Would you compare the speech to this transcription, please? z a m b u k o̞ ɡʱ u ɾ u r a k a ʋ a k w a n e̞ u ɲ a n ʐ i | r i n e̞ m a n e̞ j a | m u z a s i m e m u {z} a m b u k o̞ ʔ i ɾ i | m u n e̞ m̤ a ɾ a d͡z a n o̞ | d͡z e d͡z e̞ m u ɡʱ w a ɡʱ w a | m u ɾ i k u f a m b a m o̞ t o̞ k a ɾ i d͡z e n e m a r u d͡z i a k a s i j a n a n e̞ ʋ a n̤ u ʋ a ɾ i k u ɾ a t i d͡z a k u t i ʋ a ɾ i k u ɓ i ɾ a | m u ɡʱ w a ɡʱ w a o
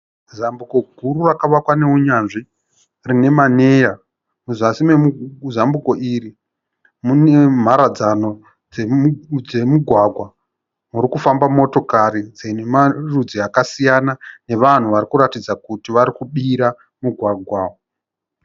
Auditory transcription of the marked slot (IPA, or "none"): z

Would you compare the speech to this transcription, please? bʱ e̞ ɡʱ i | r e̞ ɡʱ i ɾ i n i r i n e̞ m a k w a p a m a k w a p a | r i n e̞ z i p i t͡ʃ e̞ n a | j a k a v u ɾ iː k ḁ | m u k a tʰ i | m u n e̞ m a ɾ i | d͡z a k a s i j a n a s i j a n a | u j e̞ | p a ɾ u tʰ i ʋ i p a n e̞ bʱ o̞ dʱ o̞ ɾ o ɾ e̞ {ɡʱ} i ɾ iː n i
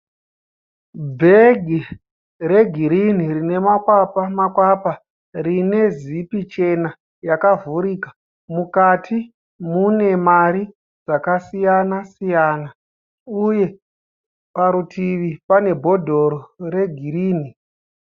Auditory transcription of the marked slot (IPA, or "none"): ɡʱ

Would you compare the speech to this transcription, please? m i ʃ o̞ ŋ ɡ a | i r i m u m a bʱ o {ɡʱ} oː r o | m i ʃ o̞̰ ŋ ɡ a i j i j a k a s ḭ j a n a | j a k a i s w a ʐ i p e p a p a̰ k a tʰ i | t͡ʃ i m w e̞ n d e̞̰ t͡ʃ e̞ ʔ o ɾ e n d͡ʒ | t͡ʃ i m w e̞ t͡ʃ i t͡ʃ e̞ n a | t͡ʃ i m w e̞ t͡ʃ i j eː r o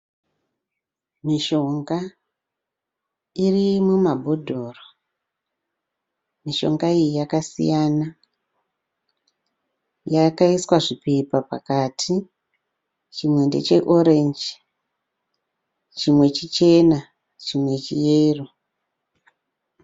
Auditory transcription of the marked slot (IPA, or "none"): dʱ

